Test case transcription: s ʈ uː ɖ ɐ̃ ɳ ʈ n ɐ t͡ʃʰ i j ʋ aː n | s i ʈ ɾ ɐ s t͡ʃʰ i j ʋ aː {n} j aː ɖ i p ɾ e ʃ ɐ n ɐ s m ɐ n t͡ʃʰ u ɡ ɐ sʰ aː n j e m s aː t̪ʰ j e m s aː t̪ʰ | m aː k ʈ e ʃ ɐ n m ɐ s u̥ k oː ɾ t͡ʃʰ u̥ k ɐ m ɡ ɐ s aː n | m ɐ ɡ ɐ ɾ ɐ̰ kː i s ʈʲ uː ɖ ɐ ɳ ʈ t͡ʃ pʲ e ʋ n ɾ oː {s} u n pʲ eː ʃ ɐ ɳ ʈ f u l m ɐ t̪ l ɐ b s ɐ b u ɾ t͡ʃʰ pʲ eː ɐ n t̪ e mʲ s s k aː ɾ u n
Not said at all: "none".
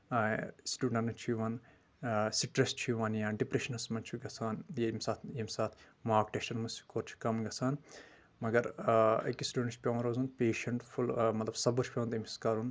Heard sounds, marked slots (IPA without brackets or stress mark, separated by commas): n, z